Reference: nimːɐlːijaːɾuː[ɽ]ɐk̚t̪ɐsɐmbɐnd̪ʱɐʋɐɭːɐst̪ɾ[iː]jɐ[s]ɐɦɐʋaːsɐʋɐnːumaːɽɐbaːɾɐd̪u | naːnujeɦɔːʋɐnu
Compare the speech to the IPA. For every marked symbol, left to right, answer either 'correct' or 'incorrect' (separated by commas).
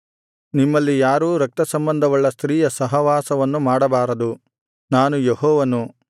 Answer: incorrect, correct, correct